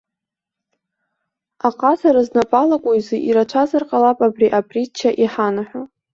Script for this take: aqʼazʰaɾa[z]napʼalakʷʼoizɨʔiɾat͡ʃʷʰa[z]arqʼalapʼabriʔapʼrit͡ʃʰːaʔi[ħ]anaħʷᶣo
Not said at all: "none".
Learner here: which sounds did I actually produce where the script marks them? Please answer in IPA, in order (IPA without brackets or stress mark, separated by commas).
z, z, ħ